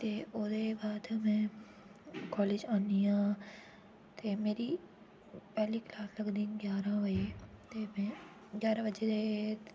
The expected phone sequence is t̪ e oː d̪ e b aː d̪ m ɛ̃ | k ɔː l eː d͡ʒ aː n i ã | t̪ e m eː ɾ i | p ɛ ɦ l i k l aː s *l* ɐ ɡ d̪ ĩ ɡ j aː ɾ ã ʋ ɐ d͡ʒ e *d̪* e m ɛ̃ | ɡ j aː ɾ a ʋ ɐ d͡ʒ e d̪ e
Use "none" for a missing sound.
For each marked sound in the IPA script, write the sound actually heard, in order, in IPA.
l, t̪

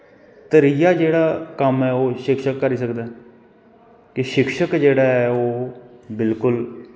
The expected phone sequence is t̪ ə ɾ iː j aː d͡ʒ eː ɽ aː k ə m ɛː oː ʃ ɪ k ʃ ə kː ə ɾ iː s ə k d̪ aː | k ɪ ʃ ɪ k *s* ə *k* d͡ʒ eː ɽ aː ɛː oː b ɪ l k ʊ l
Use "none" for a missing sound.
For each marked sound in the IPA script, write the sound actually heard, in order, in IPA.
ʃ, k

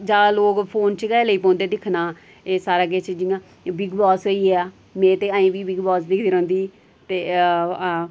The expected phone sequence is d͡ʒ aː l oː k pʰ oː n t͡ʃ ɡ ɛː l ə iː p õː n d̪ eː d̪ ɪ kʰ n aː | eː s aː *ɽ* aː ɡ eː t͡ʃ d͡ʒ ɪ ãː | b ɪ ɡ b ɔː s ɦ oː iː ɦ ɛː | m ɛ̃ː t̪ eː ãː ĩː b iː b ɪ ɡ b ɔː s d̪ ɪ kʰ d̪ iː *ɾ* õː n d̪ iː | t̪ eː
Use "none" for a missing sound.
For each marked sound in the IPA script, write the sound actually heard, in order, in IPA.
ɾ, ɾ

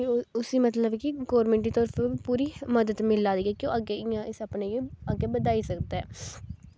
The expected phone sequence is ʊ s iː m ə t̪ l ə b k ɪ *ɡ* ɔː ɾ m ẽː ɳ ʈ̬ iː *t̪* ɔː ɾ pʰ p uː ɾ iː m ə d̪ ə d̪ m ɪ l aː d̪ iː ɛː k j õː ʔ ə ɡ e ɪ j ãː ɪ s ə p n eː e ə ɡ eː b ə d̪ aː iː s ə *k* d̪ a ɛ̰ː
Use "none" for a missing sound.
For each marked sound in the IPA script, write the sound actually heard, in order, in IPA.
ɡ, t̪, k

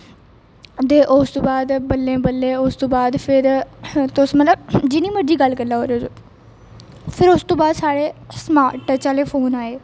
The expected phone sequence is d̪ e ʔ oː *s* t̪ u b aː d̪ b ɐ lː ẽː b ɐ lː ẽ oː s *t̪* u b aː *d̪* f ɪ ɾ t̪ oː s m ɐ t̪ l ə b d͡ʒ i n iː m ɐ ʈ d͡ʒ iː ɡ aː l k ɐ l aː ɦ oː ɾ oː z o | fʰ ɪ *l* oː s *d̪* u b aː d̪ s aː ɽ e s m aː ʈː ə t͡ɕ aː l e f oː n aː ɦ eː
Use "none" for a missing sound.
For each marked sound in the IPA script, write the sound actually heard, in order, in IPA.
s, t̪, d̪, ɾ, t̪

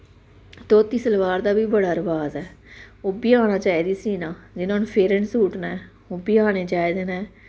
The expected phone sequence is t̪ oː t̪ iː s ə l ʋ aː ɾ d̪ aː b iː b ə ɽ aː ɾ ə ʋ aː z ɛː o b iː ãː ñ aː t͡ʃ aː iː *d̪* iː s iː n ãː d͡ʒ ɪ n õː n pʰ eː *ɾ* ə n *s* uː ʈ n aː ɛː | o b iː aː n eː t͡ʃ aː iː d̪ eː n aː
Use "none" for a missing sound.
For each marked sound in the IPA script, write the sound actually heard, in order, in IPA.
d̪, ɾ, s

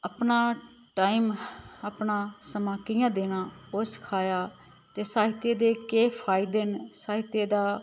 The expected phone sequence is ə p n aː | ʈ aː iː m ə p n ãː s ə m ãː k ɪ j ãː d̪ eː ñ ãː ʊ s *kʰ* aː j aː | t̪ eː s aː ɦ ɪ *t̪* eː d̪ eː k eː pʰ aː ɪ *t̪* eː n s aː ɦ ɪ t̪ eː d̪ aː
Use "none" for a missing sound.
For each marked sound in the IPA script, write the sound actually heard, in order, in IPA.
kʰ, t̪, d̪

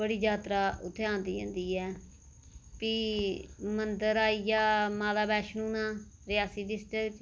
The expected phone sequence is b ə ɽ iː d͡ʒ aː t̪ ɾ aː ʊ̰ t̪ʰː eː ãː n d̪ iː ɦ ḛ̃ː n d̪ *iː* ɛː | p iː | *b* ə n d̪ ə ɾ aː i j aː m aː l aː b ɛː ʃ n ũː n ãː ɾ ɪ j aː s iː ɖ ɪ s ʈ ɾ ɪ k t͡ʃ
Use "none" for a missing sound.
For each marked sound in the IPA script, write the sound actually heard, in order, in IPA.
iː, m

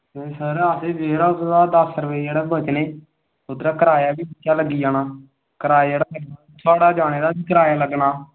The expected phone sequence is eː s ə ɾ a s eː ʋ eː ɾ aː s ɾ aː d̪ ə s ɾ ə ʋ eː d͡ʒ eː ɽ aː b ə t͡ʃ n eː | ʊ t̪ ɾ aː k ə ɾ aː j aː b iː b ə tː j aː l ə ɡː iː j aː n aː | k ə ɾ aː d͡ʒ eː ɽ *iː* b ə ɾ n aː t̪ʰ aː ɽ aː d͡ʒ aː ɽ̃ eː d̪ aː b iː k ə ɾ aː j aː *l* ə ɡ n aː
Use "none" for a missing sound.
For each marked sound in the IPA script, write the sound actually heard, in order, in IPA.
aː, l

